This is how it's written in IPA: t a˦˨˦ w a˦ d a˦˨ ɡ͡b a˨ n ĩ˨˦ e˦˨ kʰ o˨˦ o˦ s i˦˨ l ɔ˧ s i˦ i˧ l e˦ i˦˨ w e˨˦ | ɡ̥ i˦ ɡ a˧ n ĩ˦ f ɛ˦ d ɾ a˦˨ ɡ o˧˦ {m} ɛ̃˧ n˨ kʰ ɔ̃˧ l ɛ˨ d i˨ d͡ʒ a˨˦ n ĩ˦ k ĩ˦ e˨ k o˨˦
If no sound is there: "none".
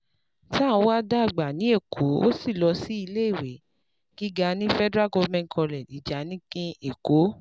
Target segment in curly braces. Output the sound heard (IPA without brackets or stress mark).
m